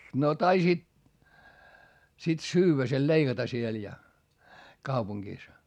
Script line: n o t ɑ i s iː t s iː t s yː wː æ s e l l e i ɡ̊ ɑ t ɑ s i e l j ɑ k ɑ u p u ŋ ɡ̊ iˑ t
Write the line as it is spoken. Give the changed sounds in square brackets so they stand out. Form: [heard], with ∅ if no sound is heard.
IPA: n o t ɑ i s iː t s [i] t s yː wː æ s e l l e i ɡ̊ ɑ t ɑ s i e l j ɑ k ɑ u p u ŋ ɡ̊ iˑ [s]